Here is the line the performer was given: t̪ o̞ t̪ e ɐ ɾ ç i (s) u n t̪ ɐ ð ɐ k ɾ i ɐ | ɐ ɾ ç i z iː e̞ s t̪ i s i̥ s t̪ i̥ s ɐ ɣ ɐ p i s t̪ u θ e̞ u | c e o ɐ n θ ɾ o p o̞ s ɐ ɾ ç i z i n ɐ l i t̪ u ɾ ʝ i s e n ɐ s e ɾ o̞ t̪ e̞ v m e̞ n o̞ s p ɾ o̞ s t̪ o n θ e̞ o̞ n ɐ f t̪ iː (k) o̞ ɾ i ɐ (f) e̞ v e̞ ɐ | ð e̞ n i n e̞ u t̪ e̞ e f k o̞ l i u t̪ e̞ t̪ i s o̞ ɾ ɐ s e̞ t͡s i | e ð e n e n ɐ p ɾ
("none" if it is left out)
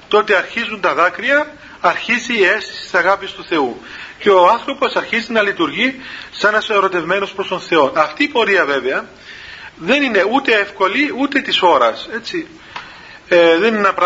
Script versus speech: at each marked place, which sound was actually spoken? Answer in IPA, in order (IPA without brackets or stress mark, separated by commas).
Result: z, p, v